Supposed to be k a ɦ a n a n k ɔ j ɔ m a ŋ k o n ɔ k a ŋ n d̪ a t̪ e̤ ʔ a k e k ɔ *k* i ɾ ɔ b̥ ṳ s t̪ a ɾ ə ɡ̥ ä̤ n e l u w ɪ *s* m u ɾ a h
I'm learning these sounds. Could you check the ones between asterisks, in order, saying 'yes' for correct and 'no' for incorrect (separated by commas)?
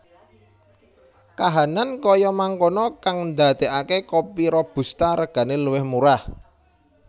no, no